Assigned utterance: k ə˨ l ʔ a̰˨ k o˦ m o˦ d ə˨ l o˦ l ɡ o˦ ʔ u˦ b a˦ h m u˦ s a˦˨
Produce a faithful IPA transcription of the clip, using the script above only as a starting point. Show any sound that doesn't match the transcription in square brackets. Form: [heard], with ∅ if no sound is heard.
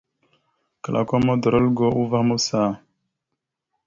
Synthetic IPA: k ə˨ l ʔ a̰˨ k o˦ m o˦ d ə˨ [ɾ] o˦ l ɡ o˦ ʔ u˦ [v] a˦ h m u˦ s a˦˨